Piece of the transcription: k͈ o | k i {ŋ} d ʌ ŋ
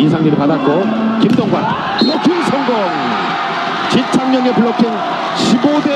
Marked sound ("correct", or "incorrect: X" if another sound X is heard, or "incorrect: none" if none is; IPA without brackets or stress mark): incorrect: m